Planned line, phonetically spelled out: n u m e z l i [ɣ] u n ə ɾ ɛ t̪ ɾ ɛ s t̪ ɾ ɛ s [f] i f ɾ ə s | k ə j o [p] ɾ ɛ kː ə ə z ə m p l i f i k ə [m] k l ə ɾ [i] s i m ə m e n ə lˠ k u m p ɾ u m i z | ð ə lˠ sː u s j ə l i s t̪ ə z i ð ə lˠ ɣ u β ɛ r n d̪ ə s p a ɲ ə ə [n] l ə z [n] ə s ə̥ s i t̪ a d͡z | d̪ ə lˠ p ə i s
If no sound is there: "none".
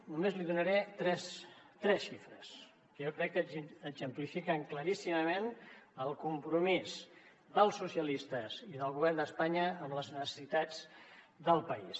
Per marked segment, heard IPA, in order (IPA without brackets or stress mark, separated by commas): ð, ʃ, k, ŋ, i, m, n